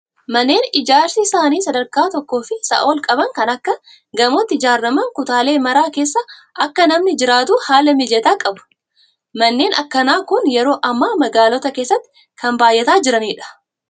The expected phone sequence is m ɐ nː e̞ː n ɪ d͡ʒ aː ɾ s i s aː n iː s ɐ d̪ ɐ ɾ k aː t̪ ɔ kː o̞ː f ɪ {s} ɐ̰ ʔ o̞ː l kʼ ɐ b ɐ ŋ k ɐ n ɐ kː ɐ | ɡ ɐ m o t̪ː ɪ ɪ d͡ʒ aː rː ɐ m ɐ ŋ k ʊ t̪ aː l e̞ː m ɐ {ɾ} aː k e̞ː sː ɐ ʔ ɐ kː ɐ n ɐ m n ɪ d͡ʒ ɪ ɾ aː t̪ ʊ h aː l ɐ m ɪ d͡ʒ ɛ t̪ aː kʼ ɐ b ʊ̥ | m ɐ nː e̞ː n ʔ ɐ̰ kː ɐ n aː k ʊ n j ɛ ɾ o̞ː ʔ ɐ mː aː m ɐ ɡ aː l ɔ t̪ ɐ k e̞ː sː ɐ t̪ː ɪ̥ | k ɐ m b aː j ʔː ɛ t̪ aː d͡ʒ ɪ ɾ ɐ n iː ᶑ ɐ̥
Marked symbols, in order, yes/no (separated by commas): yes, yes